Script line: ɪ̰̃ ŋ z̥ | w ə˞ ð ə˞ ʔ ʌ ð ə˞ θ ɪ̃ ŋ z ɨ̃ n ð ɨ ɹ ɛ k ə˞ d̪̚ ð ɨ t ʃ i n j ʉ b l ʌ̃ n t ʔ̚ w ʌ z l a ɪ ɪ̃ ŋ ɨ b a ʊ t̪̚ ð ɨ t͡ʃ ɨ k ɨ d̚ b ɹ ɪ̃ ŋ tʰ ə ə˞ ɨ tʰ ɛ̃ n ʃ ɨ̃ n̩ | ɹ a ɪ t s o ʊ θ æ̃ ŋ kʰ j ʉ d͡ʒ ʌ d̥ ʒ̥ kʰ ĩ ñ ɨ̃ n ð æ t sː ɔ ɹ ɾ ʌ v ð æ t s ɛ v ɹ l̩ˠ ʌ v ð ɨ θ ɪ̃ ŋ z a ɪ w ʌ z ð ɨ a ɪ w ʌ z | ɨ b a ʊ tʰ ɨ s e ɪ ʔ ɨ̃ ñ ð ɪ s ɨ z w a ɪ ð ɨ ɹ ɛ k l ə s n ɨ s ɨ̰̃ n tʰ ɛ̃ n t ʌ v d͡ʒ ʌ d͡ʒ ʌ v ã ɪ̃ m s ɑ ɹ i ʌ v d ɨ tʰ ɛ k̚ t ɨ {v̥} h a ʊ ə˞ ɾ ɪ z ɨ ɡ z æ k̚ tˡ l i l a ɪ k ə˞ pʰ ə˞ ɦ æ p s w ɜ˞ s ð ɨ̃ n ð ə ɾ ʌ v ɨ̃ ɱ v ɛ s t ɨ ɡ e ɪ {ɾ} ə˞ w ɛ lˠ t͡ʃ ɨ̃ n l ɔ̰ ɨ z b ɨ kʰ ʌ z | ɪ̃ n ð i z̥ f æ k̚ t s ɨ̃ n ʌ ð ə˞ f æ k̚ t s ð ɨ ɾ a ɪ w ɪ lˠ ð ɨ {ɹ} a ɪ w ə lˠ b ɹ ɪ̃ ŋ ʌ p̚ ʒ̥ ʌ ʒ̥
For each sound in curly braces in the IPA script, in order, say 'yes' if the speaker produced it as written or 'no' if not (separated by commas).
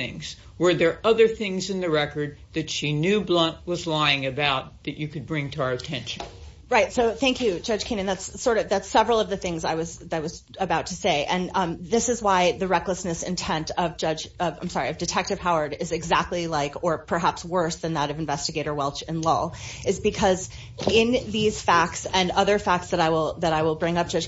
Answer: yes, yes, no